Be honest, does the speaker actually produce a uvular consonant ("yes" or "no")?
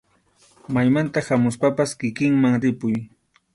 no